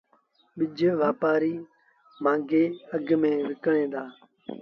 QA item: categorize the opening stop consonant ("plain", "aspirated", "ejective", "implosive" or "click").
implosive